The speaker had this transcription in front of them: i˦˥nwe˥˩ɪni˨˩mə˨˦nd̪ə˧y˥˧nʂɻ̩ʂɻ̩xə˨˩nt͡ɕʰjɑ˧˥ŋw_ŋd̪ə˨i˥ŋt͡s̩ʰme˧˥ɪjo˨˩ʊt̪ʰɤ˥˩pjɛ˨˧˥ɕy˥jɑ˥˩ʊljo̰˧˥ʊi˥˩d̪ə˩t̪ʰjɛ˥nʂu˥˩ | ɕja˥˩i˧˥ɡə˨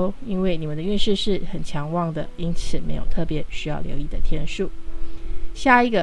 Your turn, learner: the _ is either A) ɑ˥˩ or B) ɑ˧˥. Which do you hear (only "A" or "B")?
A